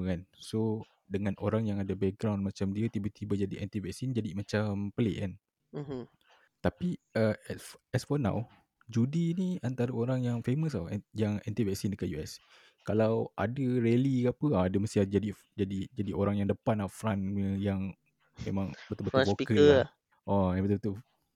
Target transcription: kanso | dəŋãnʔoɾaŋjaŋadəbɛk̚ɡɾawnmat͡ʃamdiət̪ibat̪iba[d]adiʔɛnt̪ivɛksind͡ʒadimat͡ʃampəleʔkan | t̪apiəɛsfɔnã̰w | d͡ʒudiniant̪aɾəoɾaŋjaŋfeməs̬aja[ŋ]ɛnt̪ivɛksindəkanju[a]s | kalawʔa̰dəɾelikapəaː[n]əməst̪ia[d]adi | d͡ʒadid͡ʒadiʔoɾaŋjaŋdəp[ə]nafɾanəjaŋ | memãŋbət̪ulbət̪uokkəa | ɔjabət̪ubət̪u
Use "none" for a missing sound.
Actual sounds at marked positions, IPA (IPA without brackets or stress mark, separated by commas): d͡ʒ, ŋ, ɛ, d, d͡ʒ, a